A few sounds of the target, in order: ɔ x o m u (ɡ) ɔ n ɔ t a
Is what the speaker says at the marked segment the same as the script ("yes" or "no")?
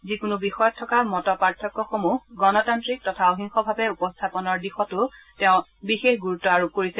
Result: yes